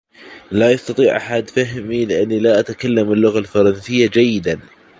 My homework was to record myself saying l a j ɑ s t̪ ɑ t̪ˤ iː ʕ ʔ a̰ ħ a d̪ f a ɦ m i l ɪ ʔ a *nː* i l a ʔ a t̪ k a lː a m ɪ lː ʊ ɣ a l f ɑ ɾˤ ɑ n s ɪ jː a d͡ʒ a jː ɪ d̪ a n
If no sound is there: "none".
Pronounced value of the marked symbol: nː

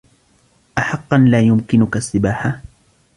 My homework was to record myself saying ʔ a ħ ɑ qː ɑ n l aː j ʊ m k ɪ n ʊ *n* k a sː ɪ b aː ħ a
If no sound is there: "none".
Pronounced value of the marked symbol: none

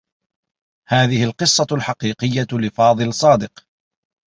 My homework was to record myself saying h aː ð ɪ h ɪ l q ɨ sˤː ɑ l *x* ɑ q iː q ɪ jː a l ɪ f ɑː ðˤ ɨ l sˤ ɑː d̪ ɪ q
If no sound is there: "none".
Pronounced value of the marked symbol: ħ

